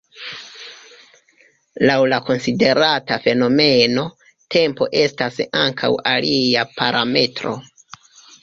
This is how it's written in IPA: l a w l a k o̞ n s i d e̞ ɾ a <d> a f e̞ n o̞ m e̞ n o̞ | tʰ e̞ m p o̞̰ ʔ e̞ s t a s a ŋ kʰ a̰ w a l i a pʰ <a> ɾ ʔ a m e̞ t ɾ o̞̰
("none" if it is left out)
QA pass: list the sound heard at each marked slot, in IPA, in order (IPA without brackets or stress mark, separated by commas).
t, a